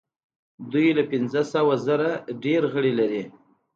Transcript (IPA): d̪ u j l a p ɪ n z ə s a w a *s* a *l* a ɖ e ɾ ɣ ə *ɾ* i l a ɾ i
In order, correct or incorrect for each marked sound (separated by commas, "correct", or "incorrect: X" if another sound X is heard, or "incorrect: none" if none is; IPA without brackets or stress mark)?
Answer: incorrect: z, incorrect: ɾ, incorrect: ɽ